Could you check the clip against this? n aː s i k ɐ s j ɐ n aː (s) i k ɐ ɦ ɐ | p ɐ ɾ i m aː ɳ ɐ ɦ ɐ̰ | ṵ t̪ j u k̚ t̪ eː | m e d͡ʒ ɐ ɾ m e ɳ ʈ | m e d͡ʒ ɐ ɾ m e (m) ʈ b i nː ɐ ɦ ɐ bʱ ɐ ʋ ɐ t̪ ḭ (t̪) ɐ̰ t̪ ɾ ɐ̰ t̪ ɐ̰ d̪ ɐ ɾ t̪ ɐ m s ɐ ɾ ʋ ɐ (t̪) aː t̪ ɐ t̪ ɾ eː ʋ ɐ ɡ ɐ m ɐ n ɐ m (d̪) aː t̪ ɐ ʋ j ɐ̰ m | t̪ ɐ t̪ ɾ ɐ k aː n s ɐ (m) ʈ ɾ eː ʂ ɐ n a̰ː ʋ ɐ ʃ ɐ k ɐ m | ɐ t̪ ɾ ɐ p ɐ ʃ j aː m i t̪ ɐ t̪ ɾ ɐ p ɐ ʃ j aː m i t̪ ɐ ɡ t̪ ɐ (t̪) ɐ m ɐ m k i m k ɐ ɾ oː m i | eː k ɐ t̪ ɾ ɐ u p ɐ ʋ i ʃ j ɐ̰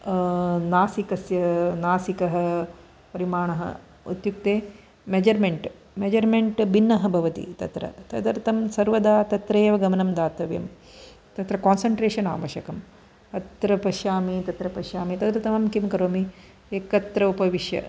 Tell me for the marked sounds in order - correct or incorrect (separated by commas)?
correct, incorrect, correct, incorrect, correct, incorrect, correct